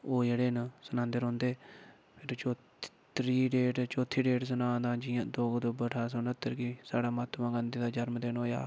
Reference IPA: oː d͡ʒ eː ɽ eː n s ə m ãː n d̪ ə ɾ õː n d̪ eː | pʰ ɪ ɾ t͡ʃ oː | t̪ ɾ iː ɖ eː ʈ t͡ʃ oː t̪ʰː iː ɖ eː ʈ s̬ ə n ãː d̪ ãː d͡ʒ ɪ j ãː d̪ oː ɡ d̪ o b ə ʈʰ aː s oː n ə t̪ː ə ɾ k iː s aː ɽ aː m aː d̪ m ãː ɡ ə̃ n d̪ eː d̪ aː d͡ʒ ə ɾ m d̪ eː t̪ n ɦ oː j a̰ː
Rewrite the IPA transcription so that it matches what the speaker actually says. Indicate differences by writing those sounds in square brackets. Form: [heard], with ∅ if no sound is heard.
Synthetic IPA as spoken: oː d͡ʒ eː ɽ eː n s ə [n] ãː n d̪ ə ɾ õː n d̪ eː | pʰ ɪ ɾ t͡ʃ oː | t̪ ɾ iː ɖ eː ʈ t͡ʃ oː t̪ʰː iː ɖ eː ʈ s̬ ə n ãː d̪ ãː d͡ʒ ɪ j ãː d̪ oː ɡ d̪ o b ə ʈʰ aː s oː n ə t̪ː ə ɾ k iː s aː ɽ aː m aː [t̪] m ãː ɡ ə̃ n d̪ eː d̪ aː d͡ʒ ə ɾ m d̪ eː [∅] n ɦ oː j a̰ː